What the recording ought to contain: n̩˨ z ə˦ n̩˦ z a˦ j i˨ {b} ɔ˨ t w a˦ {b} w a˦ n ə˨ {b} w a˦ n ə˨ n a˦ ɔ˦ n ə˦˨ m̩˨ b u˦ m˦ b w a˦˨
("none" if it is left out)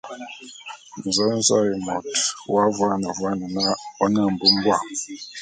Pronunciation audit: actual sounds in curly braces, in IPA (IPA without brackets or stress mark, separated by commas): m, v, v